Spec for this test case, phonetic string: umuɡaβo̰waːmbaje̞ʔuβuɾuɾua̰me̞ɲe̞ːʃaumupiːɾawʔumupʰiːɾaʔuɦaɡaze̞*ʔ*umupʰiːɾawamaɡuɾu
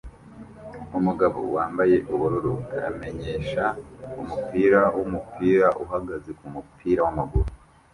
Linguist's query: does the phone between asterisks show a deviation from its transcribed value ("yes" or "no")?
yes